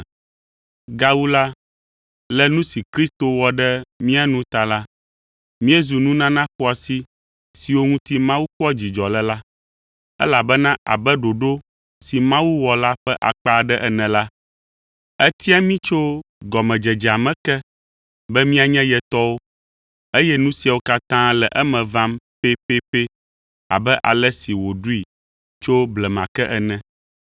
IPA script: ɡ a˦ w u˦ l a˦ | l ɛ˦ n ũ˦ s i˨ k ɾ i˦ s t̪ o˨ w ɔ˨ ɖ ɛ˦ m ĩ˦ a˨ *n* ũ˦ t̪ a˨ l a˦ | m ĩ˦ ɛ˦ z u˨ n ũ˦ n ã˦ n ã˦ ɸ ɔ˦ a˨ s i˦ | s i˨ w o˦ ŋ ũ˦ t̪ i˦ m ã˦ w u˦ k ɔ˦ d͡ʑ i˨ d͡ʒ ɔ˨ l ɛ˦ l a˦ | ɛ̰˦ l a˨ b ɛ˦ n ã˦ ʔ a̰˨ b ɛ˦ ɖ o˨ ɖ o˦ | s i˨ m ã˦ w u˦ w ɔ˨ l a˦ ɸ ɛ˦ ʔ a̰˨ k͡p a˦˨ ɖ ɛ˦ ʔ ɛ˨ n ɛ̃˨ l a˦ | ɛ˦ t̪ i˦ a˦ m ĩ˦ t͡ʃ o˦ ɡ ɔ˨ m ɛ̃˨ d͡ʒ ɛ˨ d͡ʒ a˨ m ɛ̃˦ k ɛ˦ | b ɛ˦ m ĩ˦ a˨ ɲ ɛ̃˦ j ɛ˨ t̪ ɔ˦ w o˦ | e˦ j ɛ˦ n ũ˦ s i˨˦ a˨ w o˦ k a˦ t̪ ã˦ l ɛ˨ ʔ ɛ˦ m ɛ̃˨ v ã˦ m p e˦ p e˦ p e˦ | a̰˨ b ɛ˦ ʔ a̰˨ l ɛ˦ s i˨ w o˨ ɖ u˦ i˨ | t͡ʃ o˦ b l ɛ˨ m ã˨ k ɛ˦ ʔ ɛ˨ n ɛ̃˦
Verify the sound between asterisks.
correct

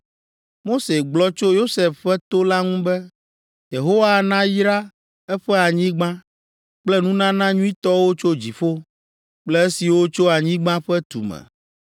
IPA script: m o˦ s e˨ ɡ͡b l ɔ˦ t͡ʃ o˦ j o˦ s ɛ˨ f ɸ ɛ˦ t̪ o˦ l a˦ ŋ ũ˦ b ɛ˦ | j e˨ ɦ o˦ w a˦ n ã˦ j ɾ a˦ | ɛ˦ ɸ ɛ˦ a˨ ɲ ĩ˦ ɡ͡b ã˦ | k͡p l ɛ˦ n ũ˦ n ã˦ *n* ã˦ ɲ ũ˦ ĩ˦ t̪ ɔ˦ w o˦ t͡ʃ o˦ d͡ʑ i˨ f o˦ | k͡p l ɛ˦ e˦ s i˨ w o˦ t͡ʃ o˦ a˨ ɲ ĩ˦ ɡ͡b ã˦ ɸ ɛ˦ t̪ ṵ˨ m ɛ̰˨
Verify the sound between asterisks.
correct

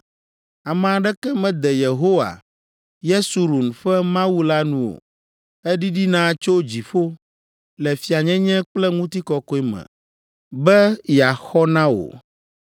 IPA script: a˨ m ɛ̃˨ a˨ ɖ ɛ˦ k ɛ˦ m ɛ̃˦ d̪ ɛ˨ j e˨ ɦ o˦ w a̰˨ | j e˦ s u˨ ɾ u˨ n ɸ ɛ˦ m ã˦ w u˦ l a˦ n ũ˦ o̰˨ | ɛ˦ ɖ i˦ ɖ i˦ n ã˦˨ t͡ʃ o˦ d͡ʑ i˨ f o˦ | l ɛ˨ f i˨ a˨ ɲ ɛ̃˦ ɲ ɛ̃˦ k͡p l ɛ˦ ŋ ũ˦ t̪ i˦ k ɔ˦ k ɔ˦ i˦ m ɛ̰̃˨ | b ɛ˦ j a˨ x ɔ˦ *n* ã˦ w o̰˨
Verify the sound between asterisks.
correct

